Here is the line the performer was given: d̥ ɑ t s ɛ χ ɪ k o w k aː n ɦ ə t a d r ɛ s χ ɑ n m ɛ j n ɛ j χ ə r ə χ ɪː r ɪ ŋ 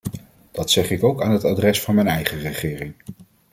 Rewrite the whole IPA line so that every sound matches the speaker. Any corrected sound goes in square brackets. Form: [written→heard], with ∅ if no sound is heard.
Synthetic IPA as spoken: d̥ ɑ t s ɛ χ ɪ k o w k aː n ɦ ə t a d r ɛ s [χ→f] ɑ n m ɛ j n ɛ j χ ə r ə χ ɪː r ɪ ŋ